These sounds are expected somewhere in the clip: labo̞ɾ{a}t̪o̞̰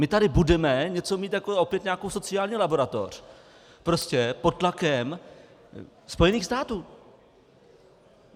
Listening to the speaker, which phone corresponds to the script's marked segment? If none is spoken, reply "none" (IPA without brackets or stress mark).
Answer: a